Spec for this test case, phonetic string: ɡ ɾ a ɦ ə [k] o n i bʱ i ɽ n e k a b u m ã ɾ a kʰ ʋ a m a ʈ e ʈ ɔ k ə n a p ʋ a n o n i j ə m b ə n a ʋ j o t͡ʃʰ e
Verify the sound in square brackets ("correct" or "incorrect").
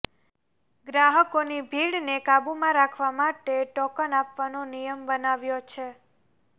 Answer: correct